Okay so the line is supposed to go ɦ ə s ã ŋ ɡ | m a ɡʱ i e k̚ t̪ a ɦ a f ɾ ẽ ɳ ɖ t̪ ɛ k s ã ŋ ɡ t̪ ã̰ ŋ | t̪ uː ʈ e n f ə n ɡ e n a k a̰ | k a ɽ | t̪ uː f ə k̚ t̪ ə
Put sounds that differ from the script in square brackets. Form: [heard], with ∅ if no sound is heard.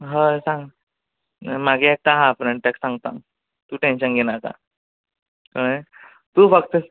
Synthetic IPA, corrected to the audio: ɦ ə s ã ŋ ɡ | m a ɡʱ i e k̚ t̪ a ɦ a f ɾ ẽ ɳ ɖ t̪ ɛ k s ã ŋ ɡ t̪ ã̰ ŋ | t̪ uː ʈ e n [ɕ] ə n ɡ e n a k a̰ | k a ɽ | t̪ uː f ə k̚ t̪ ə